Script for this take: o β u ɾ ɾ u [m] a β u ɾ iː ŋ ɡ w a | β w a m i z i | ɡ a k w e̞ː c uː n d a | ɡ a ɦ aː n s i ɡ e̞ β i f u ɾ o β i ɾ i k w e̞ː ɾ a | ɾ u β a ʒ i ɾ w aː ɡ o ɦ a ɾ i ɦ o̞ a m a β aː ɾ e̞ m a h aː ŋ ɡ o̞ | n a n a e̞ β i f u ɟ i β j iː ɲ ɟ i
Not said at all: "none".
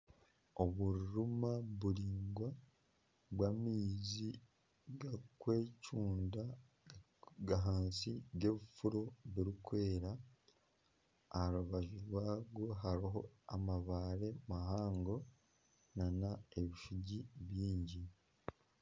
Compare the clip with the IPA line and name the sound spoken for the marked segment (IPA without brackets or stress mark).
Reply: m